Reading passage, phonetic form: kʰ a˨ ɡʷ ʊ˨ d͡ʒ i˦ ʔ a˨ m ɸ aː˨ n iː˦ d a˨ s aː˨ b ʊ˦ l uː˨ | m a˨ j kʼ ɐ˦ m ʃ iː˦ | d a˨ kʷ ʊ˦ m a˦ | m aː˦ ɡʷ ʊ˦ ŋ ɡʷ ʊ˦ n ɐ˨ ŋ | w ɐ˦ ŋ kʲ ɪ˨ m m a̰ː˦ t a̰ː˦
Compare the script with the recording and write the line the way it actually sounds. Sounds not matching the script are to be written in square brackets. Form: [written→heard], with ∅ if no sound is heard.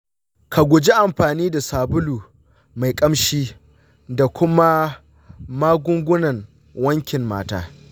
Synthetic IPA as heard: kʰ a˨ ɡʷ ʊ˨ d͡ʒ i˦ ʔ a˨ m ɸ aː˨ n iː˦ d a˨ s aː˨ b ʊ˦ l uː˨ | m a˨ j kʼ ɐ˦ m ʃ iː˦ | d a˨ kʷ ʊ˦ m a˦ | m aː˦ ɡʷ ʊ˦ ŋ ɡʷ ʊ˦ n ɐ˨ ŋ | w ɐ˦ ŋ kʲ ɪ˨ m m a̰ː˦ t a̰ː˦